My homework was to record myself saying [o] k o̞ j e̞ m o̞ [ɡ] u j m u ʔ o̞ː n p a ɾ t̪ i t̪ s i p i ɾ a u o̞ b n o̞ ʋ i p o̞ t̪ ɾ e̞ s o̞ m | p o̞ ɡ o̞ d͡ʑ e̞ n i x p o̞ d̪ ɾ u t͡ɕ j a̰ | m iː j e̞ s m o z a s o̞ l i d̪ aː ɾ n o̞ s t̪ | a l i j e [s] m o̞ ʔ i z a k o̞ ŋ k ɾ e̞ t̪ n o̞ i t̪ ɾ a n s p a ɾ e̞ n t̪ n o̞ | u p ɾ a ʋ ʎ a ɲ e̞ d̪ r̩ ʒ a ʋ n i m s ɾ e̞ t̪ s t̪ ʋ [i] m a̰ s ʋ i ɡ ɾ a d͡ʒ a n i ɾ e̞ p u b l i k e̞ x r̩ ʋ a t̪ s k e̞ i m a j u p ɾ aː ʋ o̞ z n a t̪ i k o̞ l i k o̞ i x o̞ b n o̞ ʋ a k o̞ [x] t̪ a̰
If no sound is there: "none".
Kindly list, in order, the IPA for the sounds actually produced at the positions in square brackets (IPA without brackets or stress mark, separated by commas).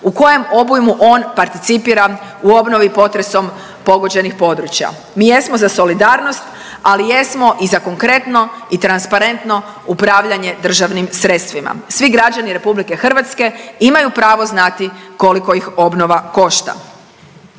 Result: u, b, s, i, ʃ